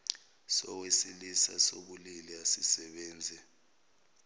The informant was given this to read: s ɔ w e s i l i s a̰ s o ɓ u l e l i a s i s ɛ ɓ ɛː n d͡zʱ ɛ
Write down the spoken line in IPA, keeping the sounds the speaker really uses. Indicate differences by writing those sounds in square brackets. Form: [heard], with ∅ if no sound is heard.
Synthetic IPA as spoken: s ɔ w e s i l i s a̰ s o ɓ u l [i] l i a s i s ɛ ɓ ɛː n d͡zʱ ɛ